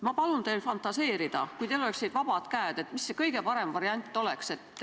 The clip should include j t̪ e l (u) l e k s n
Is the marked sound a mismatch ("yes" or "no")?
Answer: yes